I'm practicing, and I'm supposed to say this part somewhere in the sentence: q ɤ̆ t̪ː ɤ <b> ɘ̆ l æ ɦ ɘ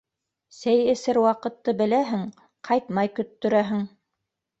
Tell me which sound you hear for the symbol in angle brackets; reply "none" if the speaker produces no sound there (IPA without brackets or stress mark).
b